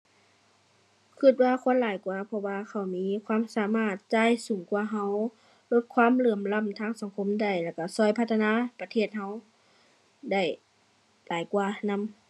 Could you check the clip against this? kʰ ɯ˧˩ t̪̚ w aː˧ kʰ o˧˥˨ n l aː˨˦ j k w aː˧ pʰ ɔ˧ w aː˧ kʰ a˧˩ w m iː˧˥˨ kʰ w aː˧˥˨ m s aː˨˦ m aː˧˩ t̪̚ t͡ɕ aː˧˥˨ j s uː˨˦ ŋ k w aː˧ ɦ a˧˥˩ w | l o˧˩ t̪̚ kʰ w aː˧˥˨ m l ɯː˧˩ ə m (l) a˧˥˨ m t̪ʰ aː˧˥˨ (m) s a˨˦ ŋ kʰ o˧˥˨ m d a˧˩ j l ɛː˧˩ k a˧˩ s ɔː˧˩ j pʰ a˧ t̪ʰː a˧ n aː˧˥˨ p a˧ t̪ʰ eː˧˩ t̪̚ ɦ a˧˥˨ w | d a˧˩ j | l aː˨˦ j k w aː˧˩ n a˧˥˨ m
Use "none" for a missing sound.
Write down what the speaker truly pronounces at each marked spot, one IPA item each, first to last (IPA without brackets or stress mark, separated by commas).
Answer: l, ŋ